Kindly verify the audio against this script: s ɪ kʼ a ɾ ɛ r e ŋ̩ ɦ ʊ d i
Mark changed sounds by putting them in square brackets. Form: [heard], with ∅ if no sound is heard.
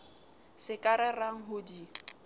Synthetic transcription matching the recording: s ɪ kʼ a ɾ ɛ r [a] ŋ̩ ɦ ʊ d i